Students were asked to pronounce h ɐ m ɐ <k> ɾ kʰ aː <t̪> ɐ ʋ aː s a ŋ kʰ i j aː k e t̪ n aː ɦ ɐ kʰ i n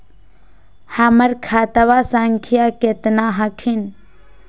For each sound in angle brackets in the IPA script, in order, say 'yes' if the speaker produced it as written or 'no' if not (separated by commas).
no, yes